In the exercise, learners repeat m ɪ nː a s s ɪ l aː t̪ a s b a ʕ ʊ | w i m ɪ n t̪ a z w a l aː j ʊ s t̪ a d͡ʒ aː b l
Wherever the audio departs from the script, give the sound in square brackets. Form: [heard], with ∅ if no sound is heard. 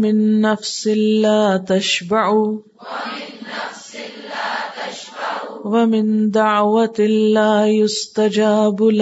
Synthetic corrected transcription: m ɪ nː a [f] s ɪ l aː t̪ a [ʃ] b a ʕ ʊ | w [a] m ɪ n [d̪] a [ʕ] w a l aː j ʊ s t̪ a d͡ʒ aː b l